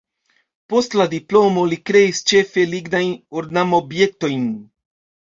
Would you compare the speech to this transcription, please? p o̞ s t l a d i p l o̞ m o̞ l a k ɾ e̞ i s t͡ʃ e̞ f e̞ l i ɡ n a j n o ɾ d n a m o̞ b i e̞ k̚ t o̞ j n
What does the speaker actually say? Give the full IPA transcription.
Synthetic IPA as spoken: p o̞ s t l a d i p l o̞ m o̞ l i k ɾ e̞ i s t͡ʃ e̞ f e̞ l i ɡ n a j n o ɾ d n a m o̞ b j e̞ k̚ t o̞ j n